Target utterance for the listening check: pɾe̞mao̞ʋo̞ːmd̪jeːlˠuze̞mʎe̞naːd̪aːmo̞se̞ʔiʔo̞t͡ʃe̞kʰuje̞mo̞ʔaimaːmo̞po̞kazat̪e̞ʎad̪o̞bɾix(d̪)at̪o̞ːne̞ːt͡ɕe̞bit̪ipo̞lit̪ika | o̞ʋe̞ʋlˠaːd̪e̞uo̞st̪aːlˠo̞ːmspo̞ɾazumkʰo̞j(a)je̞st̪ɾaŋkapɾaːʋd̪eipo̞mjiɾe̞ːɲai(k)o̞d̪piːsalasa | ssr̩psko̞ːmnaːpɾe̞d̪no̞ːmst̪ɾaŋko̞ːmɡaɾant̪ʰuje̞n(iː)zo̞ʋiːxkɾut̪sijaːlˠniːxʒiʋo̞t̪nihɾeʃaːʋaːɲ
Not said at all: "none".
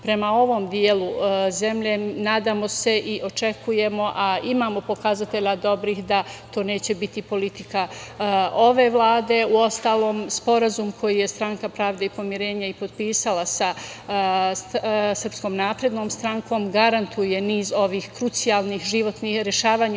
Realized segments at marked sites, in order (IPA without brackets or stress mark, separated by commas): d̪, i, p, iː